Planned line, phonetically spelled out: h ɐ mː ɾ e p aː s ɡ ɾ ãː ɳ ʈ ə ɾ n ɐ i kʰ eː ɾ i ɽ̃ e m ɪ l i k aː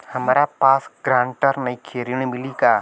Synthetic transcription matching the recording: h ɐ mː ɾ a p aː s ɡ ɾ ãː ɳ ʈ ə ɾ n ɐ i kʰ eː ɾ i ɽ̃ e m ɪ l i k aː